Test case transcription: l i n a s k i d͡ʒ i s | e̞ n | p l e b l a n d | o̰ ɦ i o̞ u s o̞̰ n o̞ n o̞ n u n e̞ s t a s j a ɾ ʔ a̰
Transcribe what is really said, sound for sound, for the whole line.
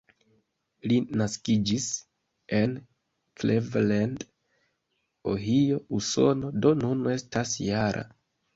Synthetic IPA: l i n a s k i d͡ʒ i s | e̞ n | k l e v l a n d | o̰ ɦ i o̞ u s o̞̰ n o̞ d o̞ n u n e̞ s t a s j a ɾ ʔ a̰